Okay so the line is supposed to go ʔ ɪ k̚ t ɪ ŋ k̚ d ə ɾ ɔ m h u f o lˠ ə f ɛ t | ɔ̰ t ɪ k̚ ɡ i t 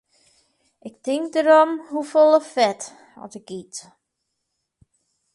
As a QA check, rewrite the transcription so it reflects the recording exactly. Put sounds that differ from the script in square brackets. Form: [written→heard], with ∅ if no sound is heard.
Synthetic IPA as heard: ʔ ɪ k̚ t ɪ ŋ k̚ d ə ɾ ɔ m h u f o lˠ ə f ɛ t | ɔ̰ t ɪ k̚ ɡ i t

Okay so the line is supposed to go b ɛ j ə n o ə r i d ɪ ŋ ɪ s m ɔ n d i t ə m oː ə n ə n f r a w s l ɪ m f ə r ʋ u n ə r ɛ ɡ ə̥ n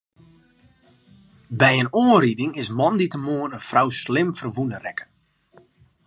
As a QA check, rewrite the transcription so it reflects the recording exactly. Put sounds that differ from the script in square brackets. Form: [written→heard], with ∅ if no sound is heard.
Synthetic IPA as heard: b ɛ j ə n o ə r i d ɪ ŋ ɪ s m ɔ n d i t ə m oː ə n ə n f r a w s l ɪ m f ə r ʋ u n ə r ɛ [ɡ→k] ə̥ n

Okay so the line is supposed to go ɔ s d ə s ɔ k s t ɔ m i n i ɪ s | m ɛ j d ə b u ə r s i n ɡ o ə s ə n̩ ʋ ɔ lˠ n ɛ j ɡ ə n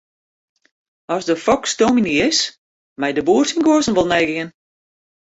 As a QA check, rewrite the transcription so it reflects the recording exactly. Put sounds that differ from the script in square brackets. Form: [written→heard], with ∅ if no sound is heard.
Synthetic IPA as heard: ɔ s d ə [s→f] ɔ k s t [ɔ→o] m i n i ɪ s | m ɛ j d ə b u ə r s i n ɡ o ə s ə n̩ ʋ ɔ lˠ n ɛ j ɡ ə n

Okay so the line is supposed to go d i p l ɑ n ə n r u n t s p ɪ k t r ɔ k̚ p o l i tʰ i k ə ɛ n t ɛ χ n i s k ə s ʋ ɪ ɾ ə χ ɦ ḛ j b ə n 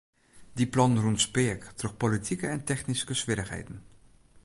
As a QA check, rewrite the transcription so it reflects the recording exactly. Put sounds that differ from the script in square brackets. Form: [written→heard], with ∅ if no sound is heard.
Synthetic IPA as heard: d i p l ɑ n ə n r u n t s p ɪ k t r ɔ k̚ p o l i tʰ i k ə ɛ n t ɛ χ n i s k ə s ʋ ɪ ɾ ə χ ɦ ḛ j [b→d] ə n

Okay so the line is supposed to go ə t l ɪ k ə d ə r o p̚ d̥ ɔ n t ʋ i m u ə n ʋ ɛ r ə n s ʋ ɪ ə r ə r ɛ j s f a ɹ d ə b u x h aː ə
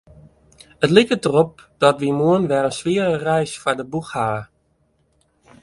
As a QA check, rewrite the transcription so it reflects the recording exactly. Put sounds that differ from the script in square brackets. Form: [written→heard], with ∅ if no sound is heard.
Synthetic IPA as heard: ə t l ɪ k ə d ə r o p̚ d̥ ɔ [n→∅] t ʋ i m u ə n ʋ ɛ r ə n s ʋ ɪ ə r ə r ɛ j s f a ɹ d ə b u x h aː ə

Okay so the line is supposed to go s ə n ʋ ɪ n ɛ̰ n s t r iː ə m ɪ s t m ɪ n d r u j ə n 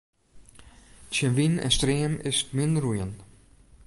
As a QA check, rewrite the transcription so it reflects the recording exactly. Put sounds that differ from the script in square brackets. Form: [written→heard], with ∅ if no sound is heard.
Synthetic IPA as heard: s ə n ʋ [ɪ→i] n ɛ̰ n s t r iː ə m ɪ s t m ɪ n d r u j ə n

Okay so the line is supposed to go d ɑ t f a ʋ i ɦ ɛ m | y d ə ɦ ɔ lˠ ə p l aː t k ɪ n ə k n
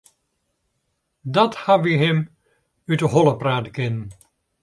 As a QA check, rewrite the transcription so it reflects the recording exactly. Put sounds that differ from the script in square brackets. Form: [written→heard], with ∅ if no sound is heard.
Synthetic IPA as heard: d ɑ t [f→h] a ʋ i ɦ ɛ m | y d ə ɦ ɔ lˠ ə p [l→r] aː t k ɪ n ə [k→∅] n

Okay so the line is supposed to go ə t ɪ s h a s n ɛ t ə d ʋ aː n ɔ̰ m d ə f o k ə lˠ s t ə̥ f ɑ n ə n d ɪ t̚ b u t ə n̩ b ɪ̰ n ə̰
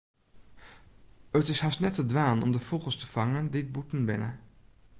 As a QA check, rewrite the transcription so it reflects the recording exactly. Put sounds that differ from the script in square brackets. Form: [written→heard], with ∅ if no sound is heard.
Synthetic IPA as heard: ə t ɪ s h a s n ɛ t ə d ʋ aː n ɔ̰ m d ə f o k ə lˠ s t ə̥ f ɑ [n→ŋ] ə n d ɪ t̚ b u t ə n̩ b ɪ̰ n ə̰

